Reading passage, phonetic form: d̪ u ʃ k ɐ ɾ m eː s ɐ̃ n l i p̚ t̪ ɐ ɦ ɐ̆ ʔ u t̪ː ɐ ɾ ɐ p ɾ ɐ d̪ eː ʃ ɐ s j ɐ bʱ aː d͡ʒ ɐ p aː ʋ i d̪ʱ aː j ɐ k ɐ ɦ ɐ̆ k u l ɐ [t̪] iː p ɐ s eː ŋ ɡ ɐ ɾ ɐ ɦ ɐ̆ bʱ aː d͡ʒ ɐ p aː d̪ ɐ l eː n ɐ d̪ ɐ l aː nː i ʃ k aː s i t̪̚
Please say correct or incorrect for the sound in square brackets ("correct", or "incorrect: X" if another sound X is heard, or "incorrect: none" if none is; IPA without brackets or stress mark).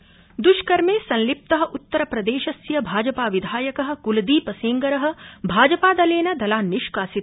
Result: incorrect: d̪